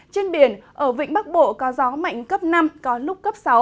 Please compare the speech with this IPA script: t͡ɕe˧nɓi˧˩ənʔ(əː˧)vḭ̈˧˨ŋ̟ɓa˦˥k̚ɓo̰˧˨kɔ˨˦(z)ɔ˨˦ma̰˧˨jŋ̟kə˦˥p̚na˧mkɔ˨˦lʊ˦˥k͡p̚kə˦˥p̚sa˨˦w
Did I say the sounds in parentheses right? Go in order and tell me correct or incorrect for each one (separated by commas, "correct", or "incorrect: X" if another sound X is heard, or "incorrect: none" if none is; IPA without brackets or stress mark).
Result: incorrect: əː˧˩, correct